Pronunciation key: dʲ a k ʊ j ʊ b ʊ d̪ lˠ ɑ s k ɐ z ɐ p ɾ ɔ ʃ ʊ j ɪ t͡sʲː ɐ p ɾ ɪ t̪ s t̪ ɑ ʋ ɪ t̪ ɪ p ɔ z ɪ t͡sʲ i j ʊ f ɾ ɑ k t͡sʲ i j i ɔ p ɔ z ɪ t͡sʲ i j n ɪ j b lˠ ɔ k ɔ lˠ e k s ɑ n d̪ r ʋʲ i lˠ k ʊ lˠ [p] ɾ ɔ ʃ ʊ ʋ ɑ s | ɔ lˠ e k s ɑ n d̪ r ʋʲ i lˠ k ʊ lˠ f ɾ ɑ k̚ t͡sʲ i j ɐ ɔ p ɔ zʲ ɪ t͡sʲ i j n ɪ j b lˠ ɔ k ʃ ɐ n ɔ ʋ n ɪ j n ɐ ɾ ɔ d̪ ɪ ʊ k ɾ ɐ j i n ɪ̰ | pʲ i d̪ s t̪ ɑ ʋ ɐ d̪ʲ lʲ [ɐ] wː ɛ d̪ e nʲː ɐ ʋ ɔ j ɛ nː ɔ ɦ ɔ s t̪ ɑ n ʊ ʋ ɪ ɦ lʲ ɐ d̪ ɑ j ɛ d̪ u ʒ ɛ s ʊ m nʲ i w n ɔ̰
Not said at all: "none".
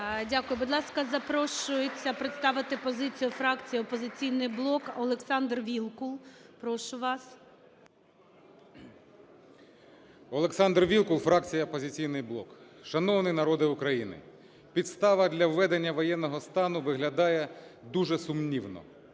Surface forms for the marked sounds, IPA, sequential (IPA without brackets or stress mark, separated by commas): p, ɐ